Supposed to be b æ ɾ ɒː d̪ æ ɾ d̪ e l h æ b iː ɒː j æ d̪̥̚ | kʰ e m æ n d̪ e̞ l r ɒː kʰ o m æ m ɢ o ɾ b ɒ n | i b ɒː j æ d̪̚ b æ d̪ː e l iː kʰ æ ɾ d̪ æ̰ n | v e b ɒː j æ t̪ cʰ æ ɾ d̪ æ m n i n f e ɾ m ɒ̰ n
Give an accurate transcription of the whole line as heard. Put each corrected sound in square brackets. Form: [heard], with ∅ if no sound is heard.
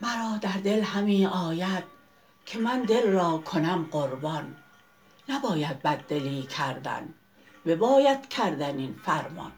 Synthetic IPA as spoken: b æ ɾ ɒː d̪ æ ɾ d̪ e l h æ [m] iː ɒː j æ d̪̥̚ | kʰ e m æ n d̪ e̞ l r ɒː kʰ o [n] æ m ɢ o ɾ b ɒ [nː] | [æ] b ɒː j æ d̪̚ b æ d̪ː e l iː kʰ æ ɾ d̪ æ̰ n | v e b ɒː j æ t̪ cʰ æ ɾ d̪ æ [∅] n i n f [æ] ɾ m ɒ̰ n